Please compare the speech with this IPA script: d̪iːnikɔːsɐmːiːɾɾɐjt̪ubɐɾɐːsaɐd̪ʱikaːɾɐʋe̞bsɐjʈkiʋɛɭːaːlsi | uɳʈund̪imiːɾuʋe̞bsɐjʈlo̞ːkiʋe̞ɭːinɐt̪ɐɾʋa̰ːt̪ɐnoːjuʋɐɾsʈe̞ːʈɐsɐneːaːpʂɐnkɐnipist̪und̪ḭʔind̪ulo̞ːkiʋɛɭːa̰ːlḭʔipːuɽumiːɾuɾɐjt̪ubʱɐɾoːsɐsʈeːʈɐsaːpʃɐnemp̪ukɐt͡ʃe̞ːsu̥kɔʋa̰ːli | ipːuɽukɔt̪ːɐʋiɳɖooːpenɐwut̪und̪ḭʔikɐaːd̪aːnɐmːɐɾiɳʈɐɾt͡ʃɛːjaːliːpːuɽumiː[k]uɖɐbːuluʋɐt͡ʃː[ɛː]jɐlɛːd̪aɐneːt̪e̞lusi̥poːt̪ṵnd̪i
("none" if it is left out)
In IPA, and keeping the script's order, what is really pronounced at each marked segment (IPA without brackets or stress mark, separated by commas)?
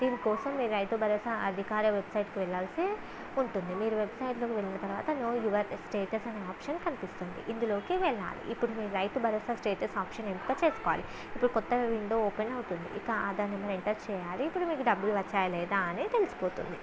k, aː